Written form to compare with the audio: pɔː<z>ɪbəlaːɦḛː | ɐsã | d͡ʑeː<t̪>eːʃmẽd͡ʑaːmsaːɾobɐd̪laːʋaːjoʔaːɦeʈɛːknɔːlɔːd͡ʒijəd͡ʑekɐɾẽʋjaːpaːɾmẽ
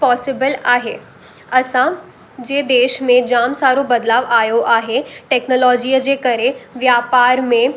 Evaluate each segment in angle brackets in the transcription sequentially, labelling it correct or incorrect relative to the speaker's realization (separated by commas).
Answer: incorrect, incorrect